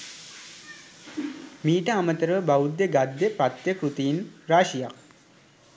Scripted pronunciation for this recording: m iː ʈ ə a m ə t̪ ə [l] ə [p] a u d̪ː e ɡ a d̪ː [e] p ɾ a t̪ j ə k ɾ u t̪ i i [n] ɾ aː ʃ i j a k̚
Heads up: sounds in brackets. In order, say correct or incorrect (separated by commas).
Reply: incorrect, incorrect, correct, correct